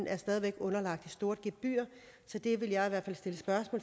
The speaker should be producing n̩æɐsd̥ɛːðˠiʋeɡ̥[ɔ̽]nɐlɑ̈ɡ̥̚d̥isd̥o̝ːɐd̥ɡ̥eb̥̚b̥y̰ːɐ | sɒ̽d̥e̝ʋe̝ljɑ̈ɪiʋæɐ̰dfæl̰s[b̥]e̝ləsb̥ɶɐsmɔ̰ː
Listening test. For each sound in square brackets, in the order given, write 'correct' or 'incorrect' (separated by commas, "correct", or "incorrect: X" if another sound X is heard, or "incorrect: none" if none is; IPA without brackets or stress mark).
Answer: correct, incorrect: d̥